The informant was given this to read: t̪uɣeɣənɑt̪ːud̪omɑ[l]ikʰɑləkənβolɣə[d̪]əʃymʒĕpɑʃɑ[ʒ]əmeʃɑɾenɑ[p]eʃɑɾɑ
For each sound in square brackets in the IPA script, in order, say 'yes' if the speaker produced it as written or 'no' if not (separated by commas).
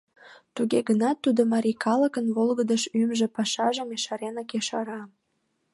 no, yes, yes, no